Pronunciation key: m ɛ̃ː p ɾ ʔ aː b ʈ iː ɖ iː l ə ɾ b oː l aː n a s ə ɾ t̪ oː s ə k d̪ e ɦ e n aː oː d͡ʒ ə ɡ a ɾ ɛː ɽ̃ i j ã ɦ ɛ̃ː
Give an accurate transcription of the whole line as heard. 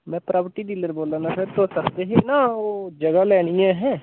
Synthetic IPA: m ɛ̃ː p ɾ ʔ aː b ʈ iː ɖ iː l ə ɾ b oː l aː n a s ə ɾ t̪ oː s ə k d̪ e ɦ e n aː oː d͡ʒ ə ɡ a l ɛː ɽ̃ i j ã ɦ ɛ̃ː